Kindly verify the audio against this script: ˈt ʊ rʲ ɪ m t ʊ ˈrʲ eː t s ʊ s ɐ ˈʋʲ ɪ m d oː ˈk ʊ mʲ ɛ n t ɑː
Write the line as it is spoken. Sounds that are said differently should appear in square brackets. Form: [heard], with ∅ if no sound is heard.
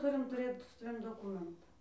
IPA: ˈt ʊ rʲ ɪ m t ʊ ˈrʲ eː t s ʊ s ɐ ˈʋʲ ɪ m d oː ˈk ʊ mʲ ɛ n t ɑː